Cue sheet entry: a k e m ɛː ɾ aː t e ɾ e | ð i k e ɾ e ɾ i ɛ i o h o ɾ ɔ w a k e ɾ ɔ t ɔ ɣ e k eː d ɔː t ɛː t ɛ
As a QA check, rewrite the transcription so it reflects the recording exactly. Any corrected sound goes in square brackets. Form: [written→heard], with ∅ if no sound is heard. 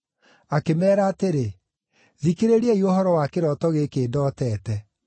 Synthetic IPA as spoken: a k e m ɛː ɾ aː t e ɾ e | ð i k e ɾ e ɾ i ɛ i o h [o→ɔ] ɾ ɔ w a k e ɾ ɔ t ɔ ɣ e k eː d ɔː t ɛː t ɛ